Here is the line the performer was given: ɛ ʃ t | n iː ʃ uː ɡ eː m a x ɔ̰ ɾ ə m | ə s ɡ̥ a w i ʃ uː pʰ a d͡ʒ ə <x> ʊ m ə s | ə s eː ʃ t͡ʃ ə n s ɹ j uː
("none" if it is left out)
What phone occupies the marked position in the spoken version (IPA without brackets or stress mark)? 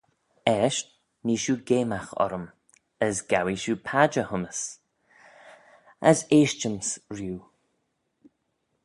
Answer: h